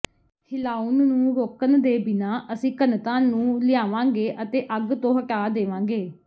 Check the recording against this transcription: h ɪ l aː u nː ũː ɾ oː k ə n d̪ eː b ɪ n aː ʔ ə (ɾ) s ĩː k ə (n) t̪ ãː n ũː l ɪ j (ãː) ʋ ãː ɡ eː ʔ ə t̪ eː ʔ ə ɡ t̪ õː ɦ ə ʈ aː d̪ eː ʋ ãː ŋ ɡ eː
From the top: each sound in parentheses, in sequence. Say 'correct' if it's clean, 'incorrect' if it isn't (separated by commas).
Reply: incorrect, correct, incorrect